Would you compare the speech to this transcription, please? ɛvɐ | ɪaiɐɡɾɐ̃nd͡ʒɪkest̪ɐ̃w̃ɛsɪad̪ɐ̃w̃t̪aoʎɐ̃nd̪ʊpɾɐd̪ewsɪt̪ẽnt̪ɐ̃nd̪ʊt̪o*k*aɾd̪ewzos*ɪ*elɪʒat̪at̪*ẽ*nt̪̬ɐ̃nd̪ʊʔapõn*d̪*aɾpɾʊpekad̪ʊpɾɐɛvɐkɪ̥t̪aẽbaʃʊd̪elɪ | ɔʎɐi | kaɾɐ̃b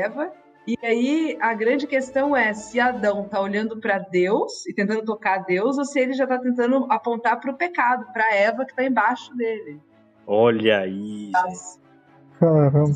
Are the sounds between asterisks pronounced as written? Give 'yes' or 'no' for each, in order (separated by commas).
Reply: yes, yes, yes, no